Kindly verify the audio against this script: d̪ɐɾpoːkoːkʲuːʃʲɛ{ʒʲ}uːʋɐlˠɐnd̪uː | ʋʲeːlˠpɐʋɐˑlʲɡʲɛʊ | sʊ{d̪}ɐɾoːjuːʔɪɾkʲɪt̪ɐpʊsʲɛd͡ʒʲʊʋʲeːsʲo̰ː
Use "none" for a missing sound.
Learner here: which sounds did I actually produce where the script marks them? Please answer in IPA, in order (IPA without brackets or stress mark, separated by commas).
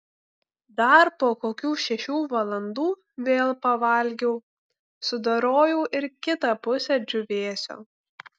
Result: ʃʲ, d̪